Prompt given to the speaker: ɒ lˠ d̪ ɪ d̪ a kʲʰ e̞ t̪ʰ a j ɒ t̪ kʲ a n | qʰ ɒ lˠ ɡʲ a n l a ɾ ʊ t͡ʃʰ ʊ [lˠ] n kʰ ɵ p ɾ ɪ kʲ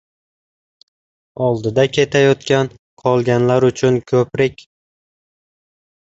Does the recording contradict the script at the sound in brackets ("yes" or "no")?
yes